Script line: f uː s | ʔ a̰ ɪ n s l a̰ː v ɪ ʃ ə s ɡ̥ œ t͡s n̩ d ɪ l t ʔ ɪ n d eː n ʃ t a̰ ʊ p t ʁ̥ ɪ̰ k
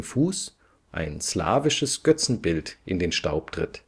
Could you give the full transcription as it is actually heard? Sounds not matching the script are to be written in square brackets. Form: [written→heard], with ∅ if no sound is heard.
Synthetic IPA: f uː s | ʔ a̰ ɪ n s l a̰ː v ɪ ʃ ə s ɡ̥ œ t͡s n̩ [d→b] ɪ l t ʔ ɪ n d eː n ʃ t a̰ ʊ p t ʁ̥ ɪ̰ [k→t]